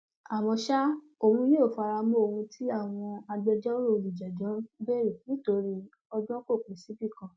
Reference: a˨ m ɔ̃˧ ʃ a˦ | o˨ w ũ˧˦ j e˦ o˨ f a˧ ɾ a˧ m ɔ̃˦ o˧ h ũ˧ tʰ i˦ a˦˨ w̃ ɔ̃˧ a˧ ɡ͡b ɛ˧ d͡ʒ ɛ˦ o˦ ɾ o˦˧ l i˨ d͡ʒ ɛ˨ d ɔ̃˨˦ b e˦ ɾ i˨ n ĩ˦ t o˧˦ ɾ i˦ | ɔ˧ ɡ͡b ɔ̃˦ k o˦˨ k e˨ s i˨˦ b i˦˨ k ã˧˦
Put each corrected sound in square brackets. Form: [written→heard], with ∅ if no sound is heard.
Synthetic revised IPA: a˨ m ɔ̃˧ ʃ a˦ | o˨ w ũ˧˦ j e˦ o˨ f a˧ ɾ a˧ m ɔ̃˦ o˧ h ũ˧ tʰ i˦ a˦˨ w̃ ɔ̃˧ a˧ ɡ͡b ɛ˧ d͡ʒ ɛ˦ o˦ ɾ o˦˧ l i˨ d͡ʒ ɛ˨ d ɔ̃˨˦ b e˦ ɾ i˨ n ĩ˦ t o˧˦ ɾ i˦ | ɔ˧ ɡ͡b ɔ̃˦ k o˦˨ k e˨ s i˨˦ b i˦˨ k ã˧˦